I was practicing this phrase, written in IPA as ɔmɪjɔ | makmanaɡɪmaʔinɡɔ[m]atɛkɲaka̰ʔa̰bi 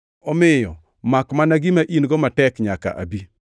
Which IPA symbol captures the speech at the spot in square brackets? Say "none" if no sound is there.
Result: m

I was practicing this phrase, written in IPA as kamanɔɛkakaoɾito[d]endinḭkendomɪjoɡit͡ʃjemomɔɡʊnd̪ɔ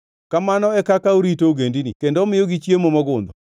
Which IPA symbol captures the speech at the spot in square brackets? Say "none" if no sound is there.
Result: ɡ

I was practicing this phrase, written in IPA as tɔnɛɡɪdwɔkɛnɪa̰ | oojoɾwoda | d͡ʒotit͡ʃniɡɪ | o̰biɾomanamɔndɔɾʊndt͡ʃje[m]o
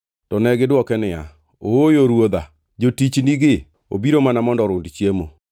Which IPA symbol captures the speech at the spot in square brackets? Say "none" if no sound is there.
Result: m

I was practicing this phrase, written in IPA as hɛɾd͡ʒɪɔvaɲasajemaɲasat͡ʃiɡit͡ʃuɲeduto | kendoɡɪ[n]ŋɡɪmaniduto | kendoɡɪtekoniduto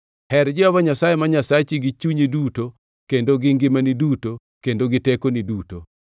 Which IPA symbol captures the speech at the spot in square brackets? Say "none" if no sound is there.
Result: none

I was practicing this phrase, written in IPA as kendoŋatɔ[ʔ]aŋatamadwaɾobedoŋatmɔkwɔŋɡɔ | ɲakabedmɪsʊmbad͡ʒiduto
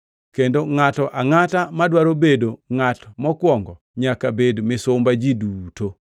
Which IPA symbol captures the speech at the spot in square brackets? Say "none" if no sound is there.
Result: ʔ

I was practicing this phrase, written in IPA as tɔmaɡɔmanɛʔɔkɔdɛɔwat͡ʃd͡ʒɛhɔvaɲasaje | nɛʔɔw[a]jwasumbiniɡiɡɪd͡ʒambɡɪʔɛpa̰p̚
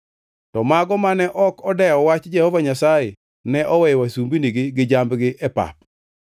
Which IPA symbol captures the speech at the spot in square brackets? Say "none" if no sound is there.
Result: ɛ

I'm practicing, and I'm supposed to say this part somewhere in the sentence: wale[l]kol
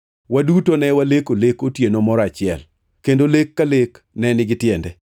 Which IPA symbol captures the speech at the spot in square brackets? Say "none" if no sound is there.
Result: none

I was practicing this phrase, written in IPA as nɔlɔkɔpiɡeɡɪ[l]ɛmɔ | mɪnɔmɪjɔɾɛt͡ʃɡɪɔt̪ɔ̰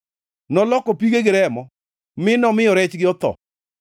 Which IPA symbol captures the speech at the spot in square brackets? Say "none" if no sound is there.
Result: ɾ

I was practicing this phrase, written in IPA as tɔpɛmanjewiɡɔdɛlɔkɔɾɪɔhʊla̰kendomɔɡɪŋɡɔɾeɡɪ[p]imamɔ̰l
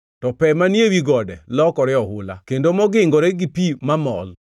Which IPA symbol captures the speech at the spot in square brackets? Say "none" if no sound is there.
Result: p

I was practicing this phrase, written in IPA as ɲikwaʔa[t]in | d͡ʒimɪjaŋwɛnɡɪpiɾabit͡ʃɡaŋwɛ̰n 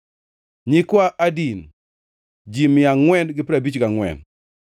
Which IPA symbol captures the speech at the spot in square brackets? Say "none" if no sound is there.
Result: d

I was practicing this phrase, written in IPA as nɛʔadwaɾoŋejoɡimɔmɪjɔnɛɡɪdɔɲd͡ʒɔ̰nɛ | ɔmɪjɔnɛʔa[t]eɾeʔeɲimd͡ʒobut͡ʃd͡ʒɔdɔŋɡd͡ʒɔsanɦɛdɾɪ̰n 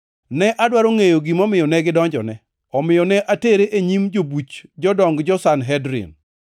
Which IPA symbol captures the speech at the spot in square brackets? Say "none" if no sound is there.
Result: t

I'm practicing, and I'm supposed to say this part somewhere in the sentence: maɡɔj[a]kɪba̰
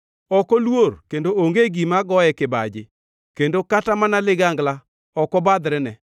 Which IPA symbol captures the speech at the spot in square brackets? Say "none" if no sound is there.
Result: ɛ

